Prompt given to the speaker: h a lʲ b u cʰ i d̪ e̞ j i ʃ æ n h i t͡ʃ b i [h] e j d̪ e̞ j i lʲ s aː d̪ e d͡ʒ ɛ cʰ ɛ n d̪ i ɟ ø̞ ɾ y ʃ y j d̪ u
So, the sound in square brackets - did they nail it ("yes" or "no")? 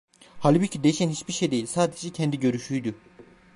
no